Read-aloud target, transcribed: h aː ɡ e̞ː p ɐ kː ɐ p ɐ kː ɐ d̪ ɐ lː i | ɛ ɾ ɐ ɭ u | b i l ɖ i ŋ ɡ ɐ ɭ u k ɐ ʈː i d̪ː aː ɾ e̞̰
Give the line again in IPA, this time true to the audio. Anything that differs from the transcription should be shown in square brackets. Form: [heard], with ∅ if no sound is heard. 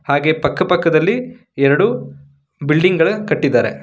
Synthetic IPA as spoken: h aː ɡ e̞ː p ɐ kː ɐ p ɐ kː ɐ d̪ ɐ lː i | ɛ ɾ ɐ [ɽ] u | b i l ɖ i ŋ ɡ ɐ ɭ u k ɐ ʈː i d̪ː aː ɾ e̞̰